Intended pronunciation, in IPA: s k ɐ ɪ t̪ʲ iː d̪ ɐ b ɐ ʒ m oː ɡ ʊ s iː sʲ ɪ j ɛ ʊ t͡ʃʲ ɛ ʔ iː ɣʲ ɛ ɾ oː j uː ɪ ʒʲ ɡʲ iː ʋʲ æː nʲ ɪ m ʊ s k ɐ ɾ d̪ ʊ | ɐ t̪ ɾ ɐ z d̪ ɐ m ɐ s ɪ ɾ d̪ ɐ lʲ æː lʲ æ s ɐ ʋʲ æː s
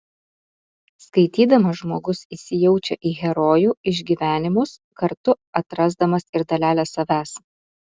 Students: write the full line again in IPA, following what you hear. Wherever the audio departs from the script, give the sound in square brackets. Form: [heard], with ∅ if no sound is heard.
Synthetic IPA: s k ɐ ɪ t̪ʲ iː d̪ ɐ [m] ɐ ʒ m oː ɡ ʊ s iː sʲ ɪ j ɛ ʊ t͡ʃʲ ɛ ʔ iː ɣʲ ɛ ɾ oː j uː ɪ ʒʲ ɡʲ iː ʋʲ æː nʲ ɪ m ʊ s k ɐ ɾ [t̪] ʊ | ɐ t̪ ɾ ɐ z d̪ ɐ m ɐ s ɪ ɾ d̪ ɐ lʲ æː lʲ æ s ɐ ʋʲ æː s

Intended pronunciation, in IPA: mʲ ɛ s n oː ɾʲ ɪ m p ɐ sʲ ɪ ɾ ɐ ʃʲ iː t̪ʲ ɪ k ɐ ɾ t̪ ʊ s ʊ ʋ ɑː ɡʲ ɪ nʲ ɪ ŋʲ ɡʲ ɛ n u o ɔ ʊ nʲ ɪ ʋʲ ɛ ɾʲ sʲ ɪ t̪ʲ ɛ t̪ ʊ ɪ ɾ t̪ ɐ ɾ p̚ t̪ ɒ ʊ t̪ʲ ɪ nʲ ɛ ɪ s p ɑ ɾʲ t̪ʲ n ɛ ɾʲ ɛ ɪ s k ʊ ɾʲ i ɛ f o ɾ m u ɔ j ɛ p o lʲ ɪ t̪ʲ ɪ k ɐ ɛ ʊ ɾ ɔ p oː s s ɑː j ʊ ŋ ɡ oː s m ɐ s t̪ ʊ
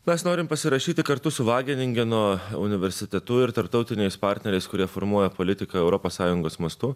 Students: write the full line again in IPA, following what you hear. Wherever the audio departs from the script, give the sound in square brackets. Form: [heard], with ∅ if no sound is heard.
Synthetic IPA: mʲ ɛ s n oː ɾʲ ɪ m p ɐ sʲ ɪ ɾ ɐ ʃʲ iː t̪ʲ ɪ k ɐ ɾ t̪ ʊ s ʊ ʋ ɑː ɡʲ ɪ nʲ ɪ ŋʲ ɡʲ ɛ n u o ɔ ʊ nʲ ɪ ʋʲ ɛ ɾʲ sʲ ɪ t̪ʲ ɛ t̪ ʊ ɪ ɾ t̪ ɐ ɾ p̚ t̪ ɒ ʊ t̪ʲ ɪ nʲ ɛ ɪ s p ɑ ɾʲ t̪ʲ n ɛ ɾʲ ɛ ɪ s k ʊ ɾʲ i ɛ f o ɾ m u ɔ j ɛ p o lʲ ɪ t̪ʲ ɪ k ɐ ɛ ʊ ɾ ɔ p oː s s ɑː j ʊ ŋ ɡ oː s m ɐ s t̪ ʊ

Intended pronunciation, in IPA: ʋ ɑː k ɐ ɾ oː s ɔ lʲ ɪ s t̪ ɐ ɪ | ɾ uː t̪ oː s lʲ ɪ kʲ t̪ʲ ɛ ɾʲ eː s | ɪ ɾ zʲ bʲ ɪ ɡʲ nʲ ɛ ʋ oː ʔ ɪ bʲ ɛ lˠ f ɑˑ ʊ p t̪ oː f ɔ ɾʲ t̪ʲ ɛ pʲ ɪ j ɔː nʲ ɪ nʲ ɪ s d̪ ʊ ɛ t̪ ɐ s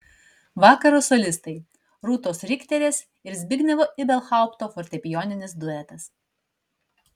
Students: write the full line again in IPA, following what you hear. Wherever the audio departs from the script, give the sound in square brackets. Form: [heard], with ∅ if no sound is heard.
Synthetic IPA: ʋ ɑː k ɐ ɾ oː s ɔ lʲ ɪ s t̪ ɐ ɪ | ɾ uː t̪ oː s [ɾʲ] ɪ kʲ t̪ʲ ɛ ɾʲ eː s | ɪ ɾ zʲ bʲ ɪ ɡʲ nʲ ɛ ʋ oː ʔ ɪ bʲ ɛ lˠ [x] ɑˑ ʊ p t̪ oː f ɔ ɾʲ t̪ʲ ɛ pʲ ɪ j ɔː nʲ ɪ nʲ ɪ s d̪ ʊ ɛ t̪ ɐ s

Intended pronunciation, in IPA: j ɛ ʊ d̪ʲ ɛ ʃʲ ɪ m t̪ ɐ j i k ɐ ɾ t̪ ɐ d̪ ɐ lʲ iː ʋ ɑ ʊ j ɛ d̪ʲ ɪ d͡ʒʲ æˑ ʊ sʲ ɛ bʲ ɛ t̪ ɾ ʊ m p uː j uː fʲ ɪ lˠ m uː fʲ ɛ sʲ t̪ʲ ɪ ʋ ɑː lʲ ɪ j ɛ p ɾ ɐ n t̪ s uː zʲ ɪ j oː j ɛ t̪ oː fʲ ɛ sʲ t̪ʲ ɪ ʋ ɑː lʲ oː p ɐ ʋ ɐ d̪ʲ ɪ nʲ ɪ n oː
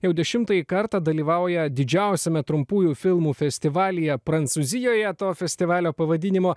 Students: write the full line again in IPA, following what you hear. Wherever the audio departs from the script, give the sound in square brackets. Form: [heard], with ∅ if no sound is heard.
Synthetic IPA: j ɛ ʊ d̪ʲ ɛ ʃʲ ɪ m t̪ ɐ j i k ɐ ɾ t̪ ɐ d̪ ɐ lʲ iː ʋ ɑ ʊ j ɛ d̪ʲ ɪ d͡ʒʲ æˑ ʊ sʲ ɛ [mʲ] ɛ t̪ ɾ ʊ m p uː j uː fʲ ɪ lˠ m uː fʲ ɛ sʲ t̪ʲ ɪ ʋ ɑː lʲ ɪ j ɛ p ɾ ɐ n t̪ s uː zʲ ɪ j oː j ɛ t̪ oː fʲ ɛ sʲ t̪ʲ ɪ ʋ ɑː lʲ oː p ɐ ʋ ɐ d̪ʲ ɪ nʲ ɪ [m] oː

